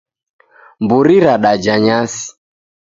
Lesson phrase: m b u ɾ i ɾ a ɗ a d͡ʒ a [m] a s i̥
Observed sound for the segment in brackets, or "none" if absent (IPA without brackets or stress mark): ɲ